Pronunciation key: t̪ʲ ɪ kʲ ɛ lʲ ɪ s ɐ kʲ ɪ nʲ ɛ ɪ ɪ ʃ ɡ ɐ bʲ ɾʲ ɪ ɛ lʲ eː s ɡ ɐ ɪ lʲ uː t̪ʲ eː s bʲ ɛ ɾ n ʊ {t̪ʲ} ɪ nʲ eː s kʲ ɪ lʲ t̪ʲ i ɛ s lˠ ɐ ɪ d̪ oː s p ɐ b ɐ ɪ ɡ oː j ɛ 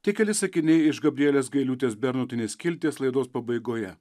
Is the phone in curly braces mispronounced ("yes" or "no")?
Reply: no